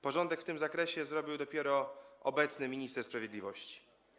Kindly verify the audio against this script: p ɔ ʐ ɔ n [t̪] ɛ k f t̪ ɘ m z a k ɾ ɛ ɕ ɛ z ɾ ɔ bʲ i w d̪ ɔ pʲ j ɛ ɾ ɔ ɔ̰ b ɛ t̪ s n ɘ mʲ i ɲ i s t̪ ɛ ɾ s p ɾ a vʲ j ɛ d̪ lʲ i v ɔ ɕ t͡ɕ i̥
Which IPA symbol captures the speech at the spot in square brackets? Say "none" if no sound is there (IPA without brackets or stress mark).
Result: d̪